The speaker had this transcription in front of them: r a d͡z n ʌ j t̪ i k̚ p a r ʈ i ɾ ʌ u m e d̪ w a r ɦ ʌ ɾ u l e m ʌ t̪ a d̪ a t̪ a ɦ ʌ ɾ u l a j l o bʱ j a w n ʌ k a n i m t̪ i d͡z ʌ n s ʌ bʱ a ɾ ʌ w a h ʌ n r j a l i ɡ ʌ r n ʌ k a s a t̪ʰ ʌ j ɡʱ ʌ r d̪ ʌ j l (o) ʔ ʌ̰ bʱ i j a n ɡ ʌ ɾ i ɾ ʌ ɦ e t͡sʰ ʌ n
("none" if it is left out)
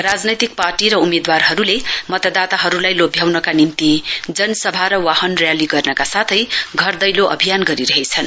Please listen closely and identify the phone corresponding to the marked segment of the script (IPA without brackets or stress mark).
o